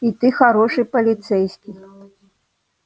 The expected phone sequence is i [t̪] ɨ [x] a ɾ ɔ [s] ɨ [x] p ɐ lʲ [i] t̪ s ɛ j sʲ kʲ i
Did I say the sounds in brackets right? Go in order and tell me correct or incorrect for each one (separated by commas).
correct, correct, incorrect, incorrect, correct